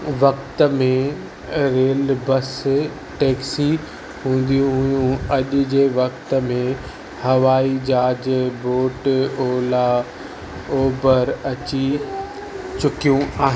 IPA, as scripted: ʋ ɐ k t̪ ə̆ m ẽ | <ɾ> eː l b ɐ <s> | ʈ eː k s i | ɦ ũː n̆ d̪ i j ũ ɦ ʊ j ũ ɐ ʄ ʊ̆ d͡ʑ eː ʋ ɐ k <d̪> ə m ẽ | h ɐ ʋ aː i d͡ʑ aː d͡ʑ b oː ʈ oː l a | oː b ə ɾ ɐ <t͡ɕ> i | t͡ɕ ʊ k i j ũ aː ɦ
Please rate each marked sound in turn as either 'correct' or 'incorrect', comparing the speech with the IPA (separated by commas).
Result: correct, correct, incorrect, correct